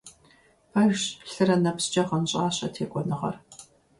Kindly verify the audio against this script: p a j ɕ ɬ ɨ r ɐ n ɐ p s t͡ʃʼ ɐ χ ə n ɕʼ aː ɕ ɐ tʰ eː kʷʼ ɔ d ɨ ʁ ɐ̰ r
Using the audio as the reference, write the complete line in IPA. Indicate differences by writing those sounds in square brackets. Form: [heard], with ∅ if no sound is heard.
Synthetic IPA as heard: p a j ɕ ɬ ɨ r ɐ n ɐ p s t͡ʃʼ ɐ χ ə n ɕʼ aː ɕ ɐ tʰ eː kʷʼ ɔ [n] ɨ ʁ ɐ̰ r